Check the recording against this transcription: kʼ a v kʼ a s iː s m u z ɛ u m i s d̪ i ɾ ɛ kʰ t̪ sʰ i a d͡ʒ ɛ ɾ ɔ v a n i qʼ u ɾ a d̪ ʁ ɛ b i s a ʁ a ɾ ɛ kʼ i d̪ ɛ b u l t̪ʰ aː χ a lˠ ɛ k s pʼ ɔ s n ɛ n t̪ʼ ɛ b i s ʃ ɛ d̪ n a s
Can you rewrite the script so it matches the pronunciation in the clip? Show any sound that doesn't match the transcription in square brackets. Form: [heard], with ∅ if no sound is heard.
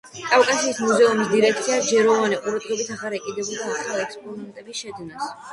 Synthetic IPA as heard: kʼ a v kʼ a s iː s m u z ɛ u m i s d̪ i ɾ ɛ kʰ t̪ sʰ i a d͡ʒ ɛ ɾ ɔ v a n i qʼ u ɾ a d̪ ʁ ɛ b i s a ʁ a ɾ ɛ kʼ i d̪ ɛ b u l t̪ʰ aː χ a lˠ ɛ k s pʼ ɔ [∅] n ɛ n t̪ʼ ɛ b i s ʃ ɛ d̪ n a s

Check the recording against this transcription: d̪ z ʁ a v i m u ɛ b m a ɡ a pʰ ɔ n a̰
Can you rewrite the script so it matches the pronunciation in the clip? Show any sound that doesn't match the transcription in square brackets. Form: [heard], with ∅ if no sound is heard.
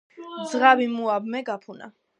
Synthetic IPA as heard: d̪ z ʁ a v i m u [a] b m [ɛ] ɡ a pʰ [u] n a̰

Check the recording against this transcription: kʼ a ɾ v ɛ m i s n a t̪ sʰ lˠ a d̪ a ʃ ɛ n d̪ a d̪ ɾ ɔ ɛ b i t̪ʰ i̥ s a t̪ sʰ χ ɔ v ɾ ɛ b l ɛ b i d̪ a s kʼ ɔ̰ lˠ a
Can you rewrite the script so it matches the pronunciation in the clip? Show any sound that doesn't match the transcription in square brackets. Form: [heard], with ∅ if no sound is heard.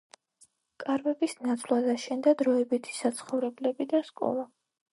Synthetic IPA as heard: kʼ a ɾ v ɛ [b] i s n a t̪ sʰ lˠ a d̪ a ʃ ɛ n d̪ a d̪ ɾ ɔ ɛ b i t̪ʰ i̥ s a t̪ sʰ χ ɔ v ɾ ɛ b l ɛ b i d̪ a s kʼ ɔ̰ lˠ a

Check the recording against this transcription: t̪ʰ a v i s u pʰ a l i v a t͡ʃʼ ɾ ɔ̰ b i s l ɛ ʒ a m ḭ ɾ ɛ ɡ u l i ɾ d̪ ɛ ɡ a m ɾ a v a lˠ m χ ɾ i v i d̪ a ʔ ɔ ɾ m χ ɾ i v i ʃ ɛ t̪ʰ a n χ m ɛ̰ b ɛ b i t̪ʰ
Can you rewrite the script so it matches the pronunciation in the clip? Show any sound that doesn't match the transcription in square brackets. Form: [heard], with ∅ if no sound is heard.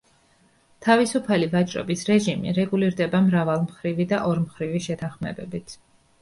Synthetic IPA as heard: t̪ʰ a v i s u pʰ a l i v a t͡ʃʼ ɾ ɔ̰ b i s [ɾ] ɛ ʒ [i] m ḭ ɾ ɛ ɡ u l i ɾ d̪ ɛ [b] a m ɾ a v a lˠ m χ ɾ i v i d̪ a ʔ ɔ ɾ m χ ɾ i v i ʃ ɛ t̪ʰ a n χ m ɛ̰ b ɛ b i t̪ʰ

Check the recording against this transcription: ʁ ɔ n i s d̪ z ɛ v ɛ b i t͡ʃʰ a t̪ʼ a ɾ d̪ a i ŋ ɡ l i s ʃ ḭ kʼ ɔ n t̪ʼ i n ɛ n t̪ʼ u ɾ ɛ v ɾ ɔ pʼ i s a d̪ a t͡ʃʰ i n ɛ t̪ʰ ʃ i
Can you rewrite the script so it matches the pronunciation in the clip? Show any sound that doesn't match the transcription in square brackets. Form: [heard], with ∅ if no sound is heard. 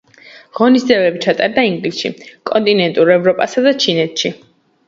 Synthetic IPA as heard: ʁ ɔ n i s d̪ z ɛ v ɛ b i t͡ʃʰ a t̪ʼ a ɾ d̪ a i ŋ ɡ l i s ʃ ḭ kʼ ɔ n t̪ʼ i n ɛ n t̪ʼ u ɾ ɛ v ɾ ɔ pʼ [a] s a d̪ a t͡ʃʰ i n ɛ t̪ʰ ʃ i

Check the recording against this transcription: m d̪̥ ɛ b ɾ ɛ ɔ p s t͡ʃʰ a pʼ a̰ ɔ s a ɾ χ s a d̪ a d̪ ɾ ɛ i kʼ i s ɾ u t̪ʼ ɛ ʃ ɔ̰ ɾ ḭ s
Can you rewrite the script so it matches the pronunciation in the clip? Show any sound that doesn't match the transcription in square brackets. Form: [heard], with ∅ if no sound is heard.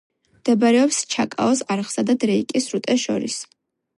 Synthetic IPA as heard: m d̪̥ ɛ b ɾ ɛ ɔ p s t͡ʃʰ a [kʼ] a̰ ɔ s a ɾ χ s a d̪ a d̪ ɾ ɛ i kʼ i s ɾ u t̪ʼ ɛ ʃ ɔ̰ ɾ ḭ s

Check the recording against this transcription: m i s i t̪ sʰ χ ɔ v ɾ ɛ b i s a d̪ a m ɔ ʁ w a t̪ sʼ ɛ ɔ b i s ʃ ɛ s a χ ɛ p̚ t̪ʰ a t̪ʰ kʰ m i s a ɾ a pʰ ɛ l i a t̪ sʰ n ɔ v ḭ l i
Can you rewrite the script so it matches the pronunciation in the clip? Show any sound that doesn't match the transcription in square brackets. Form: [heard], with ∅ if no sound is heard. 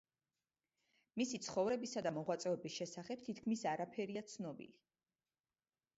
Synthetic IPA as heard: m i s i t̪ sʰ χ ɔ v ɾ ɛ b i s a d̪ a m ɔ ʁ w a t̪ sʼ ɛ ɔ b i s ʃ ɛ s a χ ɛ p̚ t̪ʰ [i] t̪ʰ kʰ m i s a ɾ a pʰ ɛ [ɾ] i a t̪ sʰ n ɔ [b] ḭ l i

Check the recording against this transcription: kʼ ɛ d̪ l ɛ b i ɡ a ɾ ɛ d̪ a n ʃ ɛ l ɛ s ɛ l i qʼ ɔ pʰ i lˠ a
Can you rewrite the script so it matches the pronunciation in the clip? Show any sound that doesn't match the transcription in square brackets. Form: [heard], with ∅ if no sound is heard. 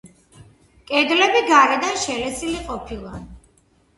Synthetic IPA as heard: kʼ ɛ d̪ l ɛ b i ɡ a ɾ ɛ d̪ a n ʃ ɛ l ɛ s [i] l i qʼ ɔ pʰ i lˠ a

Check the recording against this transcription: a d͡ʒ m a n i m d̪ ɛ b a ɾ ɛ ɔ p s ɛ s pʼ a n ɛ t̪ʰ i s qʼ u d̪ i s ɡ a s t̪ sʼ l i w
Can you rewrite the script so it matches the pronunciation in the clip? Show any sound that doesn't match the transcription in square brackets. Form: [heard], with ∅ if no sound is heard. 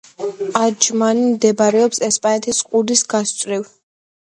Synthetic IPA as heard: a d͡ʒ m a n i m d̪ ɛ b a ɾ ɛ ɔ p s ɛ s pʼ a n ɛ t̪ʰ i s qʼ u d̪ i s ɡ a s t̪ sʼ [ɾ] i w

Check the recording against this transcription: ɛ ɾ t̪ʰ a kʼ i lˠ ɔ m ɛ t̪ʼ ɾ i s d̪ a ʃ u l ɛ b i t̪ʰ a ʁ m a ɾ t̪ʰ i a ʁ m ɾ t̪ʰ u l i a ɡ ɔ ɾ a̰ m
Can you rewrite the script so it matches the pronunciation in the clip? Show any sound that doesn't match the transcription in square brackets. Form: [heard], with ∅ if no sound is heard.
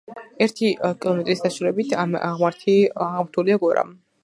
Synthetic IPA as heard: ɛ ɾ t̪ʰ [i] kʼ i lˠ ɔ m ɛ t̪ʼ ɾ i s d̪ a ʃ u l ɛ b i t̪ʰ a ʁ m a ɾ t̪ʰ i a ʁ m ɾ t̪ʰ u l i a ɡ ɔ ɾ a̰ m

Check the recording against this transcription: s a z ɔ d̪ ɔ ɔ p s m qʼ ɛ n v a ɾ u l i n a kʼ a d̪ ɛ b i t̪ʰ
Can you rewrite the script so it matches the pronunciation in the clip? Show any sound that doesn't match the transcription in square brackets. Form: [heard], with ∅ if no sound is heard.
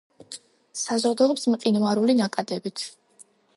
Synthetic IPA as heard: s a z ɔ d̪ ɔ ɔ p s m qʼ [i] n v a ɾ u l i n a kʼ a d̪ ɛ b i t̪ʰ

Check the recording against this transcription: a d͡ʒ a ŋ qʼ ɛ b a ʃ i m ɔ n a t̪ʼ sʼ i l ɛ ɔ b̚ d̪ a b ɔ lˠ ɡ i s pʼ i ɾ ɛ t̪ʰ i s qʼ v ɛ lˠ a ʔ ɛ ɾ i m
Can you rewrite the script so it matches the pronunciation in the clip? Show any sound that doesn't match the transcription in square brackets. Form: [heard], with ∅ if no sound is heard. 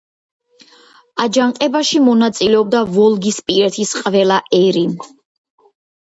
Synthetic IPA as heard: a d͡ʒ a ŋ qʼ ɛ b a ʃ i m ɔ n a [t̪] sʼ i l ɛ ɔ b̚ d̪ a [v] ɔ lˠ ɡ i s pʼ i ɾ ɛ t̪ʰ i s qʼ v ɛ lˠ a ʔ ɛ ɾ i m

